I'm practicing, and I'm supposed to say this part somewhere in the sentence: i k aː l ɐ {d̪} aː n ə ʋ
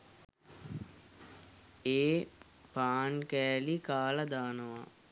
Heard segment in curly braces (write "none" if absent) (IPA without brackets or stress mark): d̪